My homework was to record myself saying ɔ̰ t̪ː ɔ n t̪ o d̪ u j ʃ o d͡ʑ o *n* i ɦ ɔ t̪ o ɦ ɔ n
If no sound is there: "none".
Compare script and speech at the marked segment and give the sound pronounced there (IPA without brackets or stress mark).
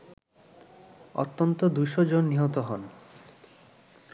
nː